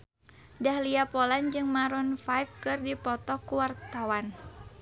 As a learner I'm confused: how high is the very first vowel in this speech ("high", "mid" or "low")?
low